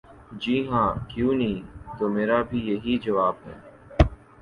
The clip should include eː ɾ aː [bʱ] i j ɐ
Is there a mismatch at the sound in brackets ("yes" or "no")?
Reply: no